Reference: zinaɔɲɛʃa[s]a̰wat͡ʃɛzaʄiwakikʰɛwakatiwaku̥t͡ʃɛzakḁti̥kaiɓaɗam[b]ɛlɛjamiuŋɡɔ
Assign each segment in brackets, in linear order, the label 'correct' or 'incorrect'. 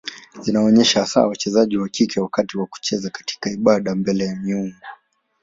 correct, correct

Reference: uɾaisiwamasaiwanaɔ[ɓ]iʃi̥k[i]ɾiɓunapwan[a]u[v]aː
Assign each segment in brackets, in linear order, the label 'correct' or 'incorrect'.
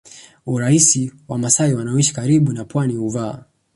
incorrect, incorrect, incorrect, correct

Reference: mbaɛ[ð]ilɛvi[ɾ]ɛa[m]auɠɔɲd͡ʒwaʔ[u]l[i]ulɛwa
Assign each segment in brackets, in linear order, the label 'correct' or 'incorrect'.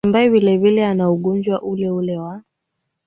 incorrect, incorrect, incorrect, correct, incorrect

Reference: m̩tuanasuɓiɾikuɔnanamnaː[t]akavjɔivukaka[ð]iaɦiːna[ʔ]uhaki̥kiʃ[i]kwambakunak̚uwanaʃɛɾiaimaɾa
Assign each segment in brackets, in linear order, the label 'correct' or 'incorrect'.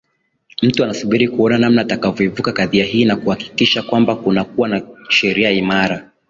correct, correct, incorrect, incorrect

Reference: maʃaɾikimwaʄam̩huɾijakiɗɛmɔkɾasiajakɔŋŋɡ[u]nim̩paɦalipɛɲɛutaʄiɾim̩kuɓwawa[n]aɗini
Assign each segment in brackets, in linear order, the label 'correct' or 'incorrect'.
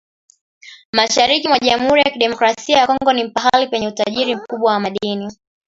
incorrect, incorrect

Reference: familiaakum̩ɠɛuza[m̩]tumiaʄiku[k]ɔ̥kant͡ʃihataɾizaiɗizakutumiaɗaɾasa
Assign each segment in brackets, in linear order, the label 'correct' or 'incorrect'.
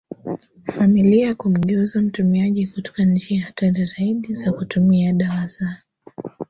correct, incorrect

